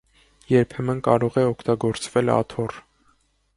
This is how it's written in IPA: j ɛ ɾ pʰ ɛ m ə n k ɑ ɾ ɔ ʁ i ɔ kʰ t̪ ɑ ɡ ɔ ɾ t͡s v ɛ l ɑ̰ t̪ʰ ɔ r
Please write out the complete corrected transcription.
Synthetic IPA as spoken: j ɛ ɾ pʰ ɛ m ə n k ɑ ɾ ɔ ʁ ɛ ɔ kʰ t̪ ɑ ɡ ɔ ɾ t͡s v ɛ l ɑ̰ t̪ʰ ɔ r